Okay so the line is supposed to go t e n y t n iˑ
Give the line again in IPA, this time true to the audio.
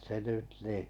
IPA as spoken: s e n y t n iˑ